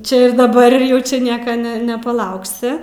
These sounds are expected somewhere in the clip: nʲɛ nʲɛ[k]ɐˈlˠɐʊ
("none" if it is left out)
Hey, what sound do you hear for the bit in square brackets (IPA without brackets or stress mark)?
p